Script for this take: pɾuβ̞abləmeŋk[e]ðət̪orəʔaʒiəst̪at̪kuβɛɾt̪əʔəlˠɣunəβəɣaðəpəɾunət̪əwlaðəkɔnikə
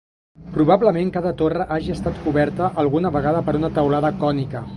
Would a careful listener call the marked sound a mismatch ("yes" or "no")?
yes